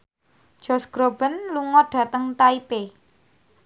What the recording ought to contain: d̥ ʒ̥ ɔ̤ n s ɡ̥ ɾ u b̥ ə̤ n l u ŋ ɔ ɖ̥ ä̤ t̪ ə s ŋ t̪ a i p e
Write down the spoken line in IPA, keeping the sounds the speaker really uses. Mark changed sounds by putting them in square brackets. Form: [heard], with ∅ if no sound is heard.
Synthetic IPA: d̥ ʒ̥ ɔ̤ [∅] s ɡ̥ ɾ [o] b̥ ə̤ n l u ŋ ɔ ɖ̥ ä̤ t̪ ə [∅] ŋ t̪ a i p e